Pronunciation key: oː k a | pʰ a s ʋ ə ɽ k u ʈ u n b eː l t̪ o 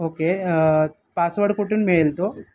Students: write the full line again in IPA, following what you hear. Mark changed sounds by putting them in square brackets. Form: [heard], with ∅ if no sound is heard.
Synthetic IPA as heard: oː k [e] | [p] a s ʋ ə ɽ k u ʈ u n [m] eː l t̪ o